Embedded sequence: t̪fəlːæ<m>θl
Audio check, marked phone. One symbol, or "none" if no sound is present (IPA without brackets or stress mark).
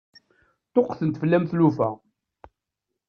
m